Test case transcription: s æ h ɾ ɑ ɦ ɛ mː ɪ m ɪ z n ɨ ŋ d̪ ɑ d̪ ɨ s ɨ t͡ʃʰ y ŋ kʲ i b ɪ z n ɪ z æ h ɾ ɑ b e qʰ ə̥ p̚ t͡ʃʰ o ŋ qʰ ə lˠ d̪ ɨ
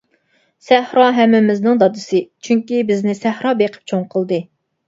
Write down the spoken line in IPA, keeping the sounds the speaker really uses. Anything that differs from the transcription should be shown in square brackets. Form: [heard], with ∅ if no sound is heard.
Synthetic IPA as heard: s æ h ɾ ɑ ɦ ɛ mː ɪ m ɪ z n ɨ ŋ d̪ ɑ d̪ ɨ s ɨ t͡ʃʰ y ŋ kʲ i b ɪ z n ɪ [s] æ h ɾ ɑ b e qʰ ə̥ p̚ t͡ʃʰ o ŋ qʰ ə lˠ d̪ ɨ